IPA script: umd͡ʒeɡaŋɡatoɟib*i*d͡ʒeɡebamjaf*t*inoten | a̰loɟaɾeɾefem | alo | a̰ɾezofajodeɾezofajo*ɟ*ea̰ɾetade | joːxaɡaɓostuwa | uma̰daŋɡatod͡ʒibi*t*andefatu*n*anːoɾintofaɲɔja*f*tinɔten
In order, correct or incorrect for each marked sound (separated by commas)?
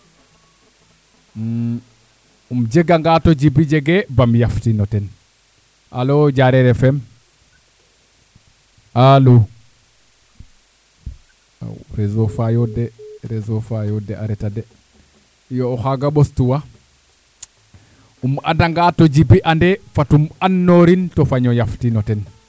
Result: correct, correct, incorrect, incorrect, incorrect, correct